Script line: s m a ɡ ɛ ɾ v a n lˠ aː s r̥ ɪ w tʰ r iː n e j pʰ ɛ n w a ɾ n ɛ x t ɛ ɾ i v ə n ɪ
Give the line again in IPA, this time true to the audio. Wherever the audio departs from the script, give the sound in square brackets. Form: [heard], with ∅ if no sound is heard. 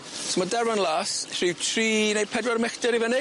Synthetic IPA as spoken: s m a [d] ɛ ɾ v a n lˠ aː s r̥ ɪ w tʰ r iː n e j pʰ ɛ [d] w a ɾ [m] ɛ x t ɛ ɾ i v ə n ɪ